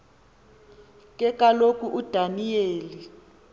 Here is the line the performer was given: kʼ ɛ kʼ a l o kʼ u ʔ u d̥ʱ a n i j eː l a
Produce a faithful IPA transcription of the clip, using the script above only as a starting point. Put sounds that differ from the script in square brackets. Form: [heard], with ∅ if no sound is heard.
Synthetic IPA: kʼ ɛ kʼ a l o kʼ u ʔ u d̥ʱ a n i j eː l [i]